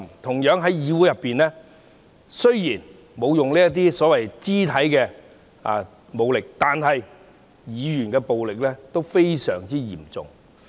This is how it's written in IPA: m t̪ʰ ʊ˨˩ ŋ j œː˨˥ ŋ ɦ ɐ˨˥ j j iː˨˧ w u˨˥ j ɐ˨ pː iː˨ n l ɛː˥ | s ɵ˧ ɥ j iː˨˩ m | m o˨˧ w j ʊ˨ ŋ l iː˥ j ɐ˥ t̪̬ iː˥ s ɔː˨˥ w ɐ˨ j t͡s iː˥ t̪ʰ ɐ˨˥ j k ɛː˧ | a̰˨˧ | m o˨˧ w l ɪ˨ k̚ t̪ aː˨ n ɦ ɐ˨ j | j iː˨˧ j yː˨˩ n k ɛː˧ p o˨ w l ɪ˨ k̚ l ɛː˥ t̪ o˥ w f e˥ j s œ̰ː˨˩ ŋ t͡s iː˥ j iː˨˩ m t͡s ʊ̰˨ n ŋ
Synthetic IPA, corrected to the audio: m t̪ʰ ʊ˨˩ ŋ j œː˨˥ ŋ ɦ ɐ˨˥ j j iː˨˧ w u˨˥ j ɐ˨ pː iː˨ n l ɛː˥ | s ɵ˥ ɥ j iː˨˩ n | m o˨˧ w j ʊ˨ ŋ l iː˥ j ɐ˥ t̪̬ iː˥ s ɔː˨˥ w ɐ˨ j t͡s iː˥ t̪ʰ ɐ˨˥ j k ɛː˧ | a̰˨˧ | m o˨˧ w l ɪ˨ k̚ t̪ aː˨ n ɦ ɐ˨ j | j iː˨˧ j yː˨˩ n k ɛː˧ p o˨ w l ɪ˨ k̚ l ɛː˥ t̪ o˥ w f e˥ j s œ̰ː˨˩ ŋ t͡s iː˥ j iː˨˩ m t͡s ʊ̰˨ ŋ